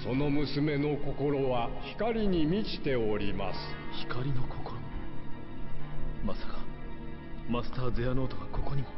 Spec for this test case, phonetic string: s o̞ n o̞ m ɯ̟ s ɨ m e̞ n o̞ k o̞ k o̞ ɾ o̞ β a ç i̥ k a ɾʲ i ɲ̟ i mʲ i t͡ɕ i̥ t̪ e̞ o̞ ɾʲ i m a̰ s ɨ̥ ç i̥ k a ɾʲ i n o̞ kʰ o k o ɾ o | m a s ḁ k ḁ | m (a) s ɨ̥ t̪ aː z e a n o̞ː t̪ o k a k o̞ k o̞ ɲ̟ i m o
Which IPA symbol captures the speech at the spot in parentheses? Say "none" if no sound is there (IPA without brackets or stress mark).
a